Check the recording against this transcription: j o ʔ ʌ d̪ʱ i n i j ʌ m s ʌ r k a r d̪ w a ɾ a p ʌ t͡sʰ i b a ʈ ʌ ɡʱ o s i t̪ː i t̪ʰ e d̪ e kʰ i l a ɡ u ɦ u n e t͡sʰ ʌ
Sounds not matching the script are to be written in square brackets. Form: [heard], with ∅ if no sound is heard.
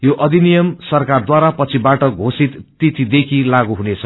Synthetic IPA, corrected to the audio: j o ʔ ʌ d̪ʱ i n i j ʌ m s ʌ r k a r d̪ w a ɾ a p ʌ t͡sʰ i b a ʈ ʌ ɡʱ o s i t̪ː i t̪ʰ [i] d̪ e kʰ i l a ɡ u ɦ u n e t͡sʰ ʌ